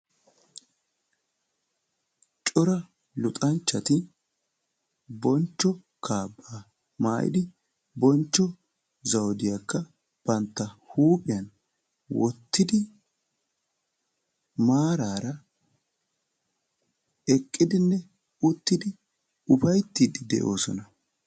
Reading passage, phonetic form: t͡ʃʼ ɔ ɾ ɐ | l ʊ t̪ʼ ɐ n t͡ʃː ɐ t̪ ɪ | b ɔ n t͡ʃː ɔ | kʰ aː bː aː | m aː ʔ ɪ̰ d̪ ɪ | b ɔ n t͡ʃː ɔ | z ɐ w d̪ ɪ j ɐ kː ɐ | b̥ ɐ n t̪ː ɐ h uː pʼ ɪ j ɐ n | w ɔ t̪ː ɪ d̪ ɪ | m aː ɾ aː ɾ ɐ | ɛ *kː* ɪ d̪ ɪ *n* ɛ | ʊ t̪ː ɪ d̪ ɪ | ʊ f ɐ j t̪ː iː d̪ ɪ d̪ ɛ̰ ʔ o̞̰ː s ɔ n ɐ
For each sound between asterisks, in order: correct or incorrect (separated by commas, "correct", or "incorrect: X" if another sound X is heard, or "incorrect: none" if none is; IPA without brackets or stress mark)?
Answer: incorrect: kʼː, incorrect: nː